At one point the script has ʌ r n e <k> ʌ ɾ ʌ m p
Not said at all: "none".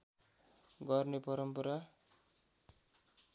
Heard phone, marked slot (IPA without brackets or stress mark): p